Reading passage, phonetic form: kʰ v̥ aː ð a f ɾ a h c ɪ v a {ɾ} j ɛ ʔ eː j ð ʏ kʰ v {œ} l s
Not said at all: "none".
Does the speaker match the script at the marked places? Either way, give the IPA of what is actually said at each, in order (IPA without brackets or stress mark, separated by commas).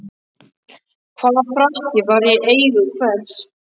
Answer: ɾ, ɛ